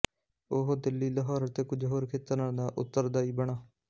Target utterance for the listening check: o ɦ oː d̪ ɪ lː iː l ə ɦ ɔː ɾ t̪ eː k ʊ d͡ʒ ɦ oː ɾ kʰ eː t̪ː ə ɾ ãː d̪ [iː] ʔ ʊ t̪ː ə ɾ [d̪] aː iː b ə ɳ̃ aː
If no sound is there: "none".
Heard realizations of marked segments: aː, d̪

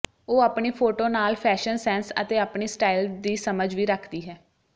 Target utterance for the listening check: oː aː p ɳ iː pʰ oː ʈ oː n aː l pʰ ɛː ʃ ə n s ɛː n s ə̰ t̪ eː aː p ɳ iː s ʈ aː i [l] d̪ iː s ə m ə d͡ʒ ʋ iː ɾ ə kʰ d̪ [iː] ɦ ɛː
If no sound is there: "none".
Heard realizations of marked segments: l, iː

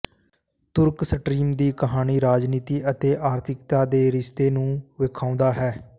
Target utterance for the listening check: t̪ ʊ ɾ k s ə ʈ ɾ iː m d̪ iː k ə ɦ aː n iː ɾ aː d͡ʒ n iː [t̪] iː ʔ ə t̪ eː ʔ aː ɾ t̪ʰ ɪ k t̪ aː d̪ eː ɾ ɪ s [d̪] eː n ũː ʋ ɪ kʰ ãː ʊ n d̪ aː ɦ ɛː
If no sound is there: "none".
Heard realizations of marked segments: t̪, t̪

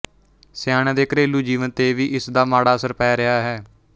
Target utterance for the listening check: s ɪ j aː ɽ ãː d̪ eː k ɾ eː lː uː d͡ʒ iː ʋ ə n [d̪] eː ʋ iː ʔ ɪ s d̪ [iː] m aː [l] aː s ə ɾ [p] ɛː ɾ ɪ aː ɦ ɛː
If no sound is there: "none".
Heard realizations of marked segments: t̪, aː, ɽ, p

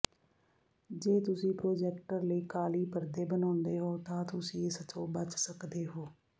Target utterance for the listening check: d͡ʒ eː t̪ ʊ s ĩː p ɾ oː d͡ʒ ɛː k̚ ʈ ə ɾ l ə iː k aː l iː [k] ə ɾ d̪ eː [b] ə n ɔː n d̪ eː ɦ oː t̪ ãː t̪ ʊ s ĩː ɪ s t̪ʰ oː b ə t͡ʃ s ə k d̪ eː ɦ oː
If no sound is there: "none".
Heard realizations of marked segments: p, b

